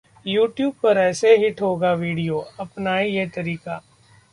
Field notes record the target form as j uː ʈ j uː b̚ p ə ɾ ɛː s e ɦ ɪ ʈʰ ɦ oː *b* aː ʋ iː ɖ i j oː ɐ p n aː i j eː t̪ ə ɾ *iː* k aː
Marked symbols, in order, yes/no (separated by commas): no, yes